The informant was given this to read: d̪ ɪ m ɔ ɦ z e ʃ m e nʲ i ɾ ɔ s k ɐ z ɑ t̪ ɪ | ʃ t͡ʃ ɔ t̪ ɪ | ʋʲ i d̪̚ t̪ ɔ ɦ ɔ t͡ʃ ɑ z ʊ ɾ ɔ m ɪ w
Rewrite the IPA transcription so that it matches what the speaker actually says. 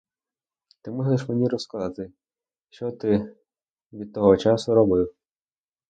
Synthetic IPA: t̪ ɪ m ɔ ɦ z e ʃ m e nʲ i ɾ ɔ s k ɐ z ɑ t̪ ɪ | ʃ t͡ʃ ɔ t̪ ɪ | ʋʲ i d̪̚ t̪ ɔ ɦ ɔ t͡ʃ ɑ s ʊ ɾ ɔ b ɪ w